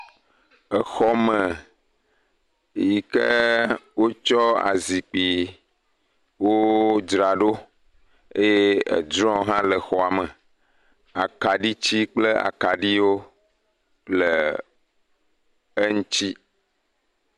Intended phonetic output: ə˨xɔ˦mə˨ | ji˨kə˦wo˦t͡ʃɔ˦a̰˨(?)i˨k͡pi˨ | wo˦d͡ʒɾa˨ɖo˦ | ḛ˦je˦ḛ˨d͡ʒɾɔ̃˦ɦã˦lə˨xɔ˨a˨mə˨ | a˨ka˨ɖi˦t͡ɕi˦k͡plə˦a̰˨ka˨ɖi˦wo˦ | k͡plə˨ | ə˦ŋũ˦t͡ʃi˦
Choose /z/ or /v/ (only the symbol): z